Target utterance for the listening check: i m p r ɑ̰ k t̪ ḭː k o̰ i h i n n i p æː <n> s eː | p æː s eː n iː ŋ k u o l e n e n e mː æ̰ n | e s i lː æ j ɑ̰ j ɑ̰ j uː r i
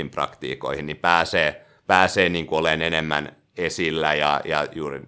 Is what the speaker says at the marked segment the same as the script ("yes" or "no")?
no